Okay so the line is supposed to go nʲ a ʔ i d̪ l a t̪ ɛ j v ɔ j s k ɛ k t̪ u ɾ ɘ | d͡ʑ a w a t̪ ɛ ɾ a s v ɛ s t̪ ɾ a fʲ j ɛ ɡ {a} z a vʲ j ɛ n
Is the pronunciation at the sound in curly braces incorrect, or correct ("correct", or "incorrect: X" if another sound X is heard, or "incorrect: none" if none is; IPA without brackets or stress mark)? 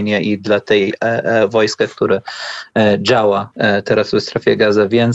correct